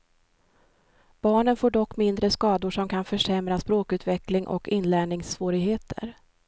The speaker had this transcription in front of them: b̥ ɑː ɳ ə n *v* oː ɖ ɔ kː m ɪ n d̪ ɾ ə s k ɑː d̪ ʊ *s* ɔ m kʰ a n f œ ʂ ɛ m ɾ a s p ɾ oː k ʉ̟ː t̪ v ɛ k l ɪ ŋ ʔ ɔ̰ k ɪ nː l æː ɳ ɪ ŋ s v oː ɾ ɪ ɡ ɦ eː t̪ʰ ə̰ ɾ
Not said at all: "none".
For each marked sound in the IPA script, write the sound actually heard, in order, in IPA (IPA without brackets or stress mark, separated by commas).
f, ʂ